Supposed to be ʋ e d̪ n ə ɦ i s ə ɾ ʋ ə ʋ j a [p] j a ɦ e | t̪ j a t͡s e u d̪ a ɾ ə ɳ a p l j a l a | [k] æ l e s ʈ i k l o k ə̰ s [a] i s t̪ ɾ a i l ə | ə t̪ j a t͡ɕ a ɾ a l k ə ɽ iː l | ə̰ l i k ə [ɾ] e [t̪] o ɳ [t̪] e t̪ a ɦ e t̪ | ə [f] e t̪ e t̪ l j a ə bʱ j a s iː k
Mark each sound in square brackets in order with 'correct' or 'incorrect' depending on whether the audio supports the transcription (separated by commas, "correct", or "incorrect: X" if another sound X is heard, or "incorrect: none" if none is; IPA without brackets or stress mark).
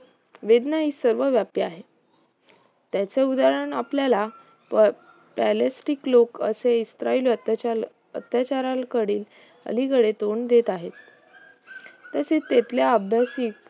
correct, incorrect: p, incorrect: e, incorrect: ɽ, correct, incorrect: d̪, incorrect: s